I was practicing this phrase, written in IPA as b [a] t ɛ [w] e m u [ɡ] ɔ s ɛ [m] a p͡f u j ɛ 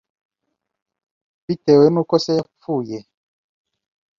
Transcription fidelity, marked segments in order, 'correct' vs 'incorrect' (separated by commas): incorrect, correct, incorrect, incorrect